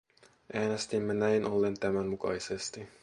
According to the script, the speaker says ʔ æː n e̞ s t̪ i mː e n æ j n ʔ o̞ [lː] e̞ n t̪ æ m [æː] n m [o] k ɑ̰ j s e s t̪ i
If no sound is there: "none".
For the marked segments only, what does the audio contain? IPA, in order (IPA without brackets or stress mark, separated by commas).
lː, æ, u